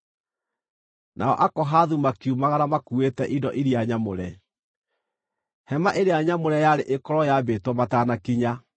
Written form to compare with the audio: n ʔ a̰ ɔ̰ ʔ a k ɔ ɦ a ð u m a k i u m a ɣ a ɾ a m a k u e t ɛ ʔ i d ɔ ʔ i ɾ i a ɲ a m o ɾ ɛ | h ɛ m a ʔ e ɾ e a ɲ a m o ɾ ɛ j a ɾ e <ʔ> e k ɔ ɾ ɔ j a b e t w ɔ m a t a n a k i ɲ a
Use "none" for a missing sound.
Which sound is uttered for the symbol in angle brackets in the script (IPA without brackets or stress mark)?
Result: ʔ